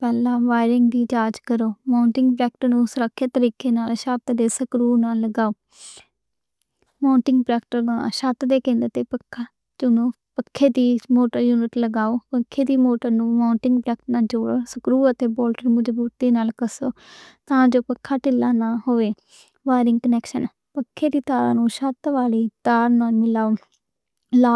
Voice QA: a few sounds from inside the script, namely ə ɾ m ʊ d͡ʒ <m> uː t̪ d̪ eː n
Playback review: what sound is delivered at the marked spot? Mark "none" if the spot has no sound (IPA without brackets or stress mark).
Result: b